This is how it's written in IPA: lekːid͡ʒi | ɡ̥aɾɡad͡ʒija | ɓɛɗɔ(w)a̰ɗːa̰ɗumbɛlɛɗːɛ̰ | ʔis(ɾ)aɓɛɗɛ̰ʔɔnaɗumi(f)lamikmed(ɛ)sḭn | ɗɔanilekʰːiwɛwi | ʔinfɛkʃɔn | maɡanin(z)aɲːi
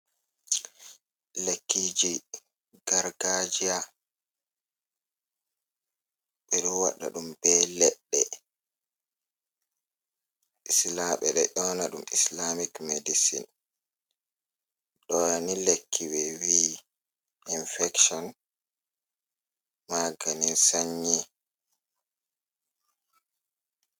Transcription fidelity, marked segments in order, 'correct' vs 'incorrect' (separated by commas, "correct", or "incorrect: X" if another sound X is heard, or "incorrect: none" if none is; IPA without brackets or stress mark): correct, incorrect: l, incorrect: s, incorrect: i, incorrect: s